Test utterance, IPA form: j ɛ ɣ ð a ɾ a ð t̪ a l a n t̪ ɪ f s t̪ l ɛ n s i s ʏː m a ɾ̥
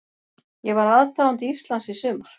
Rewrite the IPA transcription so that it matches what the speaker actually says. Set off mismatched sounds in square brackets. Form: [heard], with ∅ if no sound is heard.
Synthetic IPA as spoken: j ɛ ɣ [v] a ɾ a ð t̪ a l a n t̪ [i] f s t̪ l [a] n s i s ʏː m a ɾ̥

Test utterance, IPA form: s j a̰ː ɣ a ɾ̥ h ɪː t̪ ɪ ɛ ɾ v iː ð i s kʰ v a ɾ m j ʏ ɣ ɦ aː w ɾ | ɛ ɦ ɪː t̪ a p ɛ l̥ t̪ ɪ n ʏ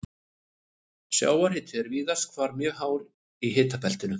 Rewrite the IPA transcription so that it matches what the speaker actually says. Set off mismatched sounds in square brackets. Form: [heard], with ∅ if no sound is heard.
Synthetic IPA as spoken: s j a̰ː [w] a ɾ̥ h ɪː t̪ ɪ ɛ ɾ v iː ð [a] s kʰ v a ɾ m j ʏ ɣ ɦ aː w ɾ | [i] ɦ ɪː t̪ a p ɛ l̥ t̪ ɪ n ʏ

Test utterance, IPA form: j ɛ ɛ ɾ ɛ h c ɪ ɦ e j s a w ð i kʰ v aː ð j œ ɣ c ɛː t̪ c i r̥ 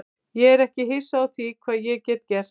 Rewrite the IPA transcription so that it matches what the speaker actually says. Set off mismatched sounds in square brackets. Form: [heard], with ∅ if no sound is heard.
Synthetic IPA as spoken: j ɛ ɛ ɾ ɛ h c ɪ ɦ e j s a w [θ] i kʰ v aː ð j [ɛ] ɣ c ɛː t̪ c [ɛ] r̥

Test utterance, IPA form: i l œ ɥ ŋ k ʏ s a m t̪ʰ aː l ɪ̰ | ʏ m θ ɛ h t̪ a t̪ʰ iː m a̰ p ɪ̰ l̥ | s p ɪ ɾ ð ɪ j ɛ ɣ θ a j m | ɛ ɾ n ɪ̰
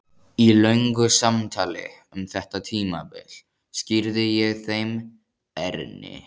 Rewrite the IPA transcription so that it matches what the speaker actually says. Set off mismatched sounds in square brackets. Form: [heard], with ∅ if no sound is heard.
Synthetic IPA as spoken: i l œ ɥ ŋ k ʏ s a m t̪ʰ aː l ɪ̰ | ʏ m θ ɛ h t̪ a t̪ʰ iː m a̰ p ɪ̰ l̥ | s [c] ɪ ɾ ð ɪ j ɛ ɣ θ [e] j m | ɛ ɾ n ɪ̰

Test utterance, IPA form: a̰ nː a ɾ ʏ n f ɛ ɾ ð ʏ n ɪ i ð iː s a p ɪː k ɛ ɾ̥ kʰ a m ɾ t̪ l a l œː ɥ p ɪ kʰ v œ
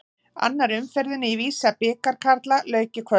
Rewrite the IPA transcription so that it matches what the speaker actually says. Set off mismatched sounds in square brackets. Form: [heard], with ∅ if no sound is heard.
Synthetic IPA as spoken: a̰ nː a ɾ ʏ [m] f ɛ ɾ ð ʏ n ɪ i [v] iː s a p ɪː k [a] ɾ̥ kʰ a [∅] ɾ t̪ l a l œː ɥ [c] ɪ kʰ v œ

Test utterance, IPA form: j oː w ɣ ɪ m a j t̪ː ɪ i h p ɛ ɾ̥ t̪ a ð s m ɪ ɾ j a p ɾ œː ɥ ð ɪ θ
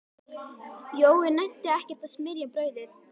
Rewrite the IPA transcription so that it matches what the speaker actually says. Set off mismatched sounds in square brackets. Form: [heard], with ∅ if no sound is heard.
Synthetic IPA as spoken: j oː w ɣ ɪ [n] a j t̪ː ɪ [ɛ] h [c] ɛ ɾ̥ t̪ a ð s m ɪ ɾ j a p ɾ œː ɥ ð ɪ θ

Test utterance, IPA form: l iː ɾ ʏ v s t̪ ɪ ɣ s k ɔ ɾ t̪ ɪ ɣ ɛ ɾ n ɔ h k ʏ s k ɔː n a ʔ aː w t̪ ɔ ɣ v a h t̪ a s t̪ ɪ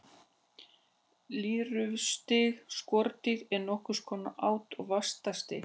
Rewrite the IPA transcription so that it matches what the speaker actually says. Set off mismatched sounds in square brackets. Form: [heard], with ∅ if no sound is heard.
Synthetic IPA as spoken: l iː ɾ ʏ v s t̪ ɪ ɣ s k ɔ ɾ t̪ ɪ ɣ ɛ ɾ n ɔ h k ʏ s [kʰ] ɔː n a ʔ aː w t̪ ɔ ɣ v a [s] t̪ a s t̪ ɪ

